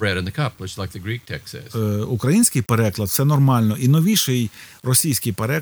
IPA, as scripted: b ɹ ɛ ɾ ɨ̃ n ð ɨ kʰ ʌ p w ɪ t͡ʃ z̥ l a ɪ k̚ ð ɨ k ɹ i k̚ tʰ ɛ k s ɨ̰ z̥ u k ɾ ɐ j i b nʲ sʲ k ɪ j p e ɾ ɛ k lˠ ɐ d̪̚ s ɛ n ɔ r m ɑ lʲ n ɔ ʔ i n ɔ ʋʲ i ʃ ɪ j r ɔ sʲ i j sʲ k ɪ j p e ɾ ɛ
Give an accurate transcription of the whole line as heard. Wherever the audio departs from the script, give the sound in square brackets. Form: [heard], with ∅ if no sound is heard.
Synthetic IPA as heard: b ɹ ɛ ɾ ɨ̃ n ð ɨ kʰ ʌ p w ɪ t͡ʃ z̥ l a ɪ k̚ ð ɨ [ɡ] ɹ i k̚ tʰ ɛ k s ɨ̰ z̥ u k ɾ ɐ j i [∅] nʲ sʲ k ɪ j p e ɾ ɛ k lˠ ɐ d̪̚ s ɛ n ɔ r m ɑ lʲ n ɔ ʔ i n ɔ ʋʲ i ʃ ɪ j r ɔ sʲ i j sʲ k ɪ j p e ɾ ɛ